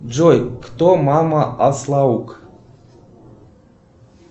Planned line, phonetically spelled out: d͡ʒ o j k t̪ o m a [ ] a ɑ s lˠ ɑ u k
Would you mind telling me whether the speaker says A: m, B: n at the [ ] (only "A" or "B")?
A